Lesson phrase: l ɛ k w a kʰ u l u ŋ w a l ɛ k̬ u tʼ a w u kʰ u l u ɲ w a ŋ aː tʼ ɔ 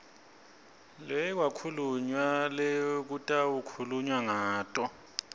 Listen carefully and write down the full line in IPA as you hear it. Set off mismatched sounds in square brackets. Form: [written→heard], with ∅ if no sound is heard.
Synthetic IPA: l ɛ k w a kʰ u l u [ŋ→ɲ] w a l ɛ k̬ u tʼ a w u kʰ u l u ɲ w a ŋ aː tʼ ɔ